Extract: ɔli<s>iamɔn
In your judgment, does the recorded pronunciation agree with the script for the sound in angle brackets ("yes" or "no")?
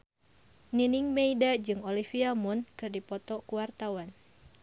no